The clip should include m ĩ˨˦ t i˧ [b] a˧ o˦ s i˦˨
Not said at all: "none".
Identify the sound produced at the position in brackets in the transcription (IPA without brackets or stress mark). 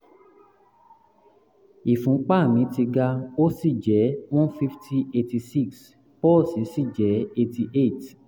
ɡ